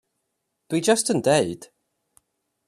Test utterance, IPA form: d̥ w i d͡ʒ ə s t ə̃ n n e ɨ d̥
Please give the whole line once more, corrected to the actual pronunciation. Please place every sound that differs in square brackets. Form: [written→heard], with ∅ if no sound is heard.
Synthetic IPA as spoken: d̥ w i d͡ʒ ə s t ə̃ n [n→d] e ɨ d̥